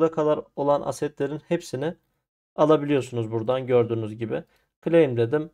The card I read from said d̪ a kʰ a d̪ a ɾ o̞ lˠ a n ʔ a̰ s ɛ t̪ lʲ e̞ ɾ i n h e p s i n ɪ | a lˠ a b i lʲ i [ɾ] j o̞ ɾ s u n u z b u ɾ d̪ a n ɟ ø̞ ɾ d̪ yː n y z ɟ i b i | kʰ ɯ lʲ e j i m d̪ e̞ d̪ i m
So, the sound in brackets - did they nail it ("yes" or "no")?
no